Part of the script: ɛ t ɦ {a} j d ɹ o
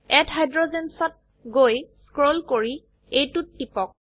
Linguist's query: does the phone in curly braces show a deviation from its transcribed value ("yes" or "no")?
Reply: no